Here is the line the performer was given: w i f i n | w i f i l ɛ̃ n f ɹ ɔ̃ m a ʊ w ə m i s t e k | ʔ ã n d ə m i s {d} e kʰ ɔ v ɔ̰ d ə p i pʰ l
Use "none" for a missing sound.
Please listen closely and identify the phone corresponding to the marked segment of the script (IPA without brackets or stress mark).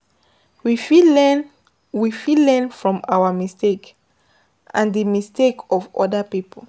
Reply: t